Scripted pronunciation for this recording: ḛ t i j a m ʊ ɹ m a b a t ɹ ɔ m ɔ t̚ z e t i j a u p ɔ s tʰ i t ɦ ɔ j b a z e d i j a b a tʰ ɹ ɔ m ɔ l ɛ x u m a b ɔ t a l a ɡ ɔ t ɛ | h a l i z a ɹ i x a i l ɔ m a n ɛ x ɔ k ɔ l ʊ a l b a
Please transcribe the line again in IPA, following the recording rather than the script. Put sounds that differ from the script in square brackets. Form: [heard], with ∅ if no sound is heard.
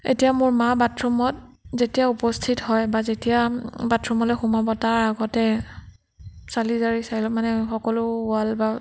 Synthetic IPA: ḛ t i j a m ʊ ɹ m a b a t ɹ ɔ m ɔ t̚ z e t i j a u p ɔ s tʰ i t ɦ ɔ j b a z e [t] i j a b a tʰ ɹ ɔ m ɔ l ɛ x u m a b ɔ t a [ɹ] a ɡ ɔ t ɛ | [s] a l i z a ɹ i [s] a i l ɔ m a n ɛ x ɔ k ɔ l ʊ a l b a